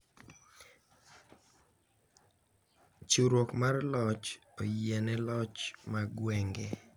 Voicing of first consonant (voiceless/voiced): voiceless